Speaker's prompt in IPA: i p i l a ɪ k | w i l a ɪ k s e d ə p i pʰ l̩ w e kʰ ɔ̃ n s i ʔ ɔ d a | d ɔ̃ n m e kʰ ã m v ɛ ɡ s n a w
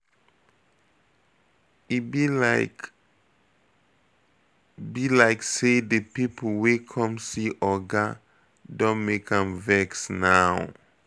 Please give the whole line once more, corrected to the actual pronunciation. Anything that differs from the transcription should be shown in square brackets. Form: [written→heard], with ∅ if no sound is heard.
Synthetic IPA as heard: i [p→b] i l a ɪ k | [w→b] i l a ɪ k s e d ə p i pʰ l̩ w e kʰ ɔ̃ [n→m] s i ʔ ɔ [d→ɡ] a | d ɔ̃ n m e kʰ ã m v ɛ [ɡ→k] s n a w